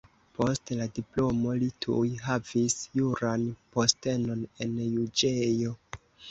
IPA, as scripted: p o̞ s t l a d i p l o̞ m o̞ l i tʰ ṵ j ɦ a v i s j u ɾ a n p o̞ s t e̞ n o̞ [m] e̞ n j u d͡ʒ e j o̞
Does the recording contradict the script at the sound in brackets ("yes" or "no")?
yes